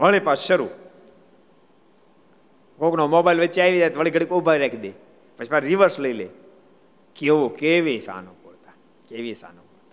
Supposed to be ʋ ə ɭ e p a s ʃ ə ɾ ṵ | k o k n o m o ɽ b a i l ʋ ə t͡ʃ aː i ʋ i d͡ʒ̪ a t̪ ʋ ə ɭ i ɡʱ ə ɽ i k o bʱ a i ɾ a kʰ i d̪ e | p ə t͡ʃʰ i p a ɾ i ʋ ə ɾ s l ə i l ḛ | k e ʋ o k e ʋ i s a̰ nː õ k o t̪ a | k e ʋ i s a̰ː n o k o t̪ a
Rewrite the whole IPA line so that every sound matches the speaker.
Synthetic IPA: ʋ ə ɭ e p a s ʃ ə ɾ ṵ | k o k n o m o b a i l ʋ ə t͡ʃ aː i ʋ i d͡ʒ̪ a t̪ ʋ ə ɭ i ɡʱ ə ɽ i k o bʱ a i ɾ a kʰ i d̪ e | p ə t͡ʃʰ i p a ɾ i ʋ ə ɾ s l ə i l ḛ | k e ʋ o k e ʋ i s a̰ n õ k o t̪ a | k e ʋ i s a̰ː n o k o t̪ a